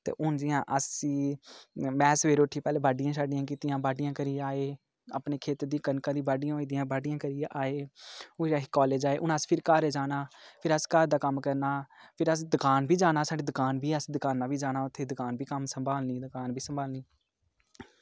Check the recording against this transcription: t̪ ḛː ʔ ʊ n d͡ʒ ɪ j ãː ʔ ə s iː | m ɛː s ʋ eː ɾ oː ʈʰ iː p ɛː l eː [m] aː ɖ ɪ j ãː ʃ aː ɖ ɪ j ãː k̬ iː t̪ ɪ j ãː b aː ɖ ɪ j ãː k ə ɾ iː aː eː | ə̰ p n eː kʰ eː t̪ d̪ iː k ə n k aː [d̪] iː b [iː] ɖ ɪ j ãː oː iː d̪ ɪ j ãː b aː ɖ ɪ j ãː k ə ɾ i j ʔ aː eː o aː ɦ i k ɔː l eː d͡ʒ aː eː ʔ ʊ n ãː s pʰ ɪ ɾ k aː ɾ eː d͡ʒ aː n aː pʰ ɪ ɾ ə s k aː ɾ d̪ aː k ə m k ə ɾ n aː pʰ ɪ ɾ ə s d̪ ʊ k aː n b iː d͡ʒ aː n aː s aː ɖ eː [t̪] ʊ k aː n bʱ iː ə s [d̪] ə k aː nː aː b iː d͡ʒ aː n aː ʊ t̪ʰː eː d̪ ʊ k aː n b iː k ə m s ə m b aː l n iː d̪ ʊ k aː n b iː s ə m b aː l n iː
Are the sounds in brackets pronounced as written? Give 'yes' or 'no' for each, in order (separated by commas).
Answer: no, yes, no, no, yes